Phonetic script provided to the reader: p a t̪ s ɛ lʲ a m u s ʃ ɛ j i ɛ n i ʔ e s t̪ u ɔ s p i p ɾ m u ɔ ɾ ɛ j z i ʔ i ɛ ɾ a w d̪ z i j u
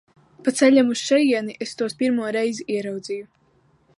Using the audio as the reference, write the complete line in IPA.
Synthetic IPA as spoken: p a t̪ s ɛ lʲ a m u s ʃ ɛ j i ɛ n i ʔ e s t̪ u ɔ s p i ɾ m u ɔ ɾ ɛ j z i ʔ i ɛ ɾ a w d̪ z i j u